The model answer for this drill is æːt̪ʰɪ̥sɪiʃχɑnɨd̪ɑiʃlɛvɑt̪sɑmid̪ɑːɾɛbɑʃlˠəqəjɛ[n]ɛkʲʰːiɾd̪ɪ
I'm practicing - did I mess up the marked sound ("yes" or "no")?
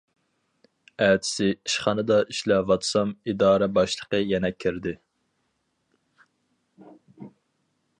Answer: no